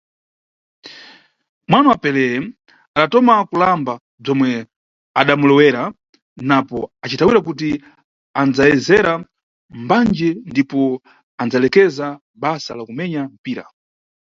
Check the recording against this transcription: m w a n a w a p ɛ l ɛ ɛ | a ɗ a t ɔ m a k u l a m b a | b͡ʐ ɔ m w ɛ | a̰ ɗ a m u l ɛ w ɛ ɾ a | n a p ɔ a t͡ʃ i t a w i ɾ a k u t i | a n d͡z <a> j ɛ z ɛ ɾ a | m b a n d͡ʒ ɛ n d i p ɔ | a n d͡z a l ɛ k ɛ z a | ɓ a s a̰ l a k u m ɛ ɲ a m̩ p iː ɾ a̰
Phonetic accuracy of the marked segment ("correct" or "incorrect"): correct